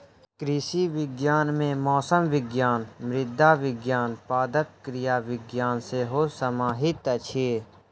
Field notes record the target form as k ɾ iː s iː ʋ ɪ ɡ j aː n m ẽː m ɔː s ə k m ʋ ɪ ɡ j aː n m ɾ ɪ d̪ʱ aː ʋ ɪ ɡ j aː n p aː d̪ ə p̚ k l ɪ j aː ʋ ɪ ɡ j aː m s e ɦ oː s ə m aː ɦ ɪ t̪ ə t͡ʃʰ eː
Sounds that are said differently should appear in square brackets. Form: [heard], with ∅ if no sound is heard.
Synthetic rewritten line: k ɾ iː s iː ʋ ɪ ɡ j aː n m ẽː m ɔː s ə [∅] m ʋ ɪ ɡ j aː n m ɾ ɪ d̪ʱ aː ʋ ɪ ɡ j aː n p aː d̪ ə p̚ k [ɾ] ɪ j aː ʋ ɪ ɡ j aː [n] s e ɦ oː s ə m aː ɦ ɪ t̪ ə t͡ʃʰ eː